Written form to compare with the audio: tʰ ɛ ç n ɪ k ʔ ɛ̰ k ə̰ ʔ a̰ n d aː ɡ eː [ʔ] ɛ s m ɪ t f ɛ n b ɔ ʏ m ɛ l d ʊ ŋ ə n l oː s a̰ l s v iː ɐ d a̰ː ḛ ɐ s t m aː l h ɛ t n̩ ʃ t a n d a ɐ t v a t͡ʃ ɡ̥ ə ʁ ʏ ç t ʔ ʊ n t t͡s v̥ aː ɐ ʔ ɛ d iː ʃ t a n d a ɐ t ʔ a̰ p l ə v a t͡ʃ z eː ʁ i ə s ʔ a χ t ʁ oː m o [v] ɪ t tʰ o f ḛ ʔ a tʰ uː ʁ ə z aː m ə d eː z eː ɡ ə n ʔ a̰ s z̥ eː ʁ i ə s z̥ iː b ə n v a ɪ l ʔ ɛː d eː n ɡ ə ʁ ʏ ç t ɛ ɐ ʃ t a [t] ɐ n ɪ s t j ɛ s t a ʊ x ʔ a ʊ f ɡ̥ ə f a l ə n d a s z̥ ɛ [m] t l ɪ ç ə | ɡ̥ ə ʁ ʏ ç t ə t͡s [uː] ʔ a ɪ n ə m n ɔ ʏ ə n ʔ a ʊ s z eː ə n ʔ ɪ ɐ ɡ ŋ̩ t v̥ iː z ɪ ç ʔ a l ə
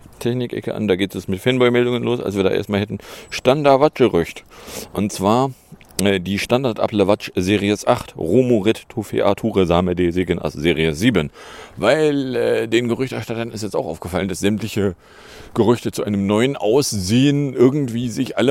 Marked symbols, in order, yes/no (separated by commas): no, no, yes, yes, no